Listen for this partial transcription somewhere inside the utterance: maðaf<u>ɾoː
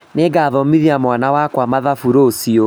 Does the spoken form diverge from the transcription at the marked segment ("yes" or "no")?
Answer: no